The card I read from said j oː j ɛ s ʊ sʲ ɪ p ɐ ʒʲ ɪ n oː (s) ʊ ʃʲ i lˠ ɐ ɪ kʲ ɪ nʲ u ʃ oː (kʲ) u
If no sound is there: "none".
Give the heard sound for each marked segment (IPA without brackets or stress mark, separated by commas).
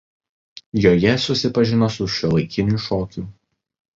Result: s, kʲ